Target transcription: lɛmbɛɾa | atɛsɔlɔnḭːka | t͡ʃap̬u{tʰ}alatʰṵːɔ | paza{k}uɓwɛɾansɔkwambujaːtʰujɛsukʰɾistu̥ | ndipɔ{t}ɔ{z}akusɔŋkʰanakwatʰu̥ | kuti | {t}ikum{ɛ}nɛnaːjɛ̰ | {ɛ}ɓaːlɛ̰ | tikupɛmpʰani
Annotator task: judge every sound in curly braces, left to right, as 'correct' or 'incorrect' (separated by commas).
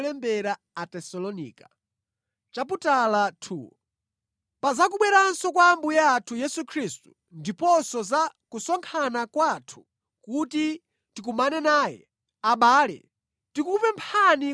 incorrect, correct, incorrect, correct, correct, incorrect, incorrect